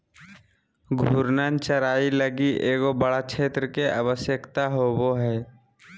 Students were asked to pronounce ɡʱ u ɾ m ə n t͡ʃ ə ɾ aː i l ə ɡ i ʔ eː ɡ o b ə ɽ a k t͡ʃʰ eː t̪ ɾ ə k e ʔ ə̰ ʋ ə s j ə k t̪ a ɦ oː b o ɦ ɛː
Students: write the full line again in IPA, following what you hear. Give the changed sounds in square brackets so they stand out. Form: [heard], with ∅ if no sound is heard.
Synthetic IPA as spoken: ɡʱ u ɾ [n] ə n t͡ʃ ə ɾ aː i l ə ɡ i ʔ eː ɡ o b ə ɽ a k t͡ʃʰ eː t̪ ɾ ə k e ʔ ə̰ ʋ ə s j ə k t̪ a ɦ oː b o ɦ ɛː